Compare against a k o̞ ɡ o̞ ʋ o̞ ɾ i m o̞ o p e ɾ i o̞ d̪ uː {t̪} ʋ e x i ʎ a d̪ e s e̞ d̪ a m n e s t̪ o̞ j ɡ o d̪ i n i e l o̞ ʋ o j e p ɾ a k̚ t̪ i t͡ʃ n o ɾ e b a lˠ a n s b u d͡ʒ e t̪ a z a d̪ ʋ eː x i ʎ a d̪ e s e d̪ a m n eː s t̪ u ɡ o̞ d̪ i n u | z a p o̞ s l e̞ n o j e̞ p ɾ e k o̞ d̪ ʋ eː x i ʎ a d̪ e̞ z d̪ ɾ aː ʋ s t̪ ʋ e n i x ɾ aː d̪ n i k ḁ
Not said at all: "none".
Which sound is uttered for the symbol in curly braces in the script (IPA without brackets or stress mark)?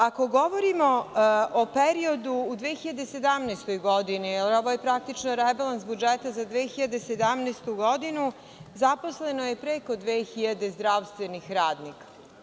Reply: d̪